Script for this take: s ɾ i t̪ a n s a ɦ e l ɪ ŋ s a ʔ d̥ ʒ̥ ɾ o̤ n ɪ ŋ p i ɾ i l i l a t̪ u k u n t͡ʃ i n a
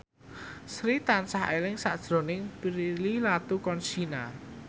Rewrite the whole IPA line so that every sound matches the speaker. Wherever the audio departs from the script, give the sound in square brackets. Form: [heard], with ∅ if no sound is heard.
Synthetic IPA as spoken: s ɾ i t̪ a n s a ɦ e l ɪ ŋ s a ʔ d̥ ʒ̥ ɾ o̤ n ɪ ŋ p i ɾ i l i l a t̪ u k [ɔ] n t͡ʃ i n a